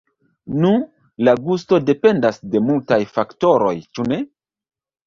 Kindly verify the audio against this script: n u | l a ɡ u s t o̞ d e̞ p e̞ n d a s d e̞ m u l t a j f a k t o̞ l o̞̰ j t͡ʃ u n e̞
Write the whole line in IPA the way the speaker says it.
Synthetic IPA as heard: n u | l a ɡ u s t o̞ d e̞ p e̞ n d a s d e̞ m u l t a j f a k t o̞ ɾ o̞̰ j t͡ʃ u n e̞

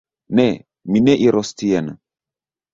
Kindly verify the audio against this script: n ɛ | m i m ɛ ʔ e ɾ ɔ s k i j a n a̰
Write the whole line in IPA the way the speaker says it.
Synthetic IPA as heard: n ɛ | m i n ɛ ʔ i ɾ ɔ s t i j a n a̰

